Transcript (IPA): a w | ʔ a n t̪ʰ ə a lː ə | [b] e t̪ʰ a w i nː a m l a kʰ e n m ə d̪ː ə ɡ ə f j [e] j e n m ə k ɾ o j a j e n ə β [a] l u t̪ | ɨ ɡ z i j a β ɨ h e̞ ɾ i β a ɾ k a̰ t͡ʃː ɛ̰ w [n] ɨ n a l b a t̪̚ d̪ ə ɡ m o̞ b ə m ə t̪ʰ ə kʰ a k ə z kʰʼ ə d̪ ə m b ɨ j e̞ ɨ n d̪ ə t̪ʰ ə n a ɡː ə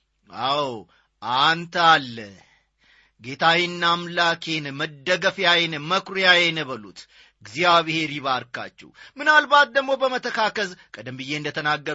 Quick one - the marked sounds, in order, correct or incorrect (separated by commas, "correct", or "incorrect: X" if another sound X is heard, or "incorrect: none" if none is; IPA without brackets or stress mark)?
incorrect: ɡ, incorrect: a, incorrect: ə, incorrect: m